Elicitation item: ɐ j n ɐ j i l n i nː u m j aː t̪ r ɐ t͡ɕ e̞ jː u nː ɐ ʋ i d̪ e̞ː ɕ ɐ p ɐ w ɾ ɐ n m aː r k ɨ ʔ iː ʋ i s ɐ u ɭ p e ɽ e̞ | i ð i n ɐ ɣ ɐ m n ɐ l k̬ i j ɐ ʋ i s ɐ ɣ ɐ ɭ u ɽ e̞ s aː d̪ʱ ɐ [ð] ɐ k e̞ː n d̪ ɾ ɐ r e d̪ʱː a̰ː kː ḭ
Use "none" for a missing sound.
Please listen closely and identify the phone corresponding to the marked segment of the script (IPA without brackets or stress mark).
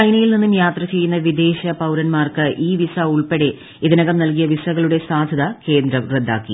ð